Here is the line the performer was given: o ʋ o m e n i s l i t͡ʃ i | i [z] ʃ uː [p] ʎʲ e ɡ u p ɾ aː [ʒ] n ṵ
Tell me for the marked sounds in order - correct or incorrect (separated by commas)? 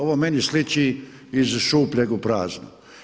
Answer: correct, correct, incorrect